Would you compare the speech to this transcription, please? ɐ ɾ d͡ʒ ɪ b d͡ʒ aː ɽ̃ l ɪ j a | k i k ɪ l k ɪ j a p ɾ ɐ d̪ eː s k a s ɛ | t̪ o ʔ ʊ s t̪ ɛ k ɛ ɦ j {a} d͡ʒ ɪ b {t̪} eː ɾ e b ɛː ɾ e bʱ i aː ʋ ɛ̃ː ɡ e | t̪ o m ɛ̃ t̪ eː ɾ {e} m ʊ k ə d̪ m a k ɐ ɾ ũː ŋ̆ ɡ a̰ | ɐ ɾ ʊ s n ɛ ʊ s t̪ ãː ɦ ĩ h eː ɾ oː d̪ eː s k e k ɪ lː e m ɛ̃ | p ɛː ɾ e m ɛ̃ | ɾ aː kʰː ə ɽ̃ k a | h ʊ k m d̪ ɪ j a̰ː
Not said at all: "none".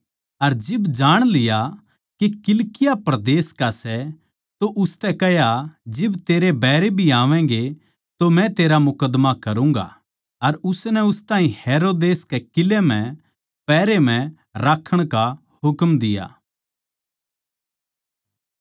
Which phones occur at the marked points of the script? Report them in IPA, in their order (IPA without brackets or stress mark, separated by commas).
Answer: a, t̪, a